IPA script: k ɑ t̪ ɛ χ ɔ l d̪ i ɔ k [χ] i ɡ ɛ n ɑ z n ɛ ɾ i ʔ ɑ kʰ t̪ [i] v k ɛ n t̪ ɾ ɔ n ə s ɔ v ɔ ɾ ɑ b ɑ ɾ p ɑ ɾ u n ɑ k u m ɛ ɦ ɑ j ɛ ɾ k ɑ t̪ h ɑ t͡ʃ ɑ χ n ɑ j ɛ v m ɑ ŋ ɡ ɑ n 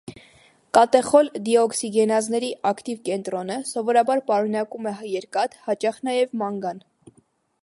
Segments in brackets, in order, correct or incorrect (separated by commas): incorrect, correct